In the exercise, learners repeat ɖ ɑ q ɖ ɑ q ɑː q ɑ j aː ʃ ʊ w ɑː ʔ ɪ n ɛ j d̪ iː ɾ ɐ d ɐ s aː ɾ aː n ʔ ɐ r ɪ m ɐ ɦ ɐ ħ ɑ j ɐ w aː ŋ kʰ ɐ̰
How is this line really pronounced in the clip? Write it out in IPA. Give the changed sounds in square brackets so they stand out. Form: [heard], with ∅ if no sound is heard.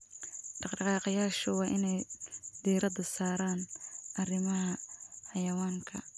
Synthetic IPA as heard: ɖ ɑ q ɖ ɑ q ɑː q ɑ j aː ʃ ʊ w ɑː ʔ ɪ n ɛ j d̪ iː ɾ ɐ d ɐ s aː ɾ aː n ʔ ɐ r ɪ m ɐ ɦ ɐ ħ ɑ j ɐ w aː ŋ kʰ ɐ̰